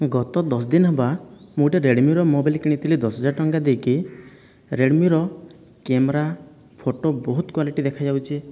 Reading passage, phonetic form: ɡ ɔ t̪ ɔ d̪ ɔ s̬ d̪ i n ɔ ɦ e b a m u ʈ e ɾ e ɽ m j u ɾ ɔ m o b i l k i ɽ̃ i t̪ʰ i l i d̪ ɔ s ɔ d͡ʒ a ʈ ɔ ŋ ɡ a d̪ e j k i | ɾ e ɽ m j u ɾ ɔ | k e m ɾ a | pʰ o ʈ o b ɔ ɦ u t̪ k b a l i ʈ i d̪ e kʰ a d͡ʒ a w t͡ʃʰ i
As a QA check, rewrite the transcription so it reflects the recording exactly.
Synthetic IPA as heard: ɡ ɔ t̪ ɔ d̪ ɔ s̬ d̪ i n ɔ ɦ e b a m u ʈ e ɾ e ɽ m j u ɾ ɔ m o b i l k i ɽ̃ i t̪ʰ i l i d̪ ɔ s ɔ d͡ʒ a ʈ ɔ ŋ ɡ a d̪ e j k i | ɾ e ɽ m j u ɾ ɔ | k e m ɾ a | pʰ o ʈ o b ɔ ɦ u t̪ k w a l i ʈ i d̪ e kʰ a d͡ʒ a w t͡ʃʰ i